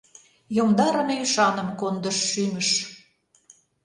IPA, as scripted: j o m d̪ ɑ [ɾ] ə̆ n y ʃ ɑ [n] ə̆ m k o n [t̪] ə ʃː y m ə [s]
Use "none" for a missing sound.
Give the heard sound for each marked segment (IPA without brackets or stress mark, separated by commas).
ɾ, n, d̪, ʃ